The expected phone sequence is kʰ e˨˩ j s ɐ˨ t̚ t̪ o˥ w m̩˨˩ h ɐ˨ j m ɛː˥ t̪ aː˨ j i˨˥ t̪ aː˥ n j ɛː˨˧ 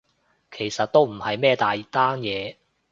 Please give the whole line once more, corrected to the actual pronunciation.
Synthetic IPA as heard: kʰ e˨˩ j s ɐ˨ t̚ t̪ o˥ w m̩˨˩ h ɐ˨ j m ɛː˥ t̪ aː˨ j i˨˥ t̪ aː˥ n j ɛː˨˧